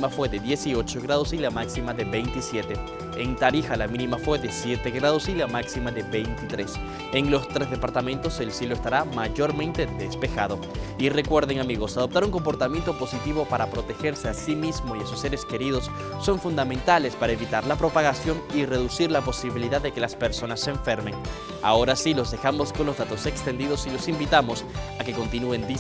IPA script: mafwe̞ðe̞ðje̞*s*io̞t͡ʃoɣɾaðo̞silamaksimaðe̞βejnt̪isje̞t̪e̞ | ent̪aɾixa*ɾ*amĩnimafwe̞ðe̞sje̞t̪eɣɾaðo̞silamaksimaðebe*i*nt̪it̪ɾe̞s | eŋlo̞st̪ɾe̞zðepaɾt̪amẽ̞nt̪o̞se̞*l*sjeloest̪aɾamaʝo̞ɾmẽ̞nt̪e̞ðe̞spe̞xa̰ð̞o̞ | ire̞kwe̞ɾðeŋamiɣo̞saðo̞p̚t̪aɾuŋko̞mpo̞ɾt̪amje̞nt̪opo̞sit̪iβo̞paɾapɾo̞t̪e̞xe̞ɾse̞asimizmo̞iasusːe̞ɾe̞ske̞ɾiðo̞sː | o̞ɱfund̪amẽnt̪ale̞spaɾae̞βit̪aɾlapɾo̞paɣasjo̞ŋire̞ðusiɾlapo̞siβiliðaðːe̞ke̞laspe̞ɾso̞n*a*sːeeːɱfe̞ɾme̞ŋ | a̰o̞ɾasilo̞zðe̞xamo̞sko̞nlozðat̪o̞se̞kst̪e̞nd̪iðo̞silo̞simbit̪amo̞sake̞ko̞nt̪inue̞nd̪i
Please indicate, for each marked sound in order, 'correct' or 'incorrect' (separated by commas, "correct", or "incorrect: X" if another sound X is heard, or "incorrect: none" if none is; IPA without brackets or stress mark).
correct, incorrect: l, incorrect: j, correct, correct